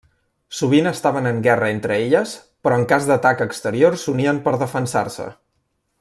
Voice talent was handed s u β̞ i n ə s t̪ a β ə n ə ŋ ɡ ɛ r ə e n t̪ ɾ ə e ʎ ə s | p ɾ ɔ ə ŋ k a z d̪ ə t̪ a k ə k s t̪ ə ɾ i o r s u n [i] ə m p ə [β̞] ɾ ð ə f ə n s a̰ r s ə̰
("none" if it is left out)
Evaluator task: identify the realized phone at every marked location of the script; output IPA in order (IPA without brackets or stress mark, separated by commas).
i, none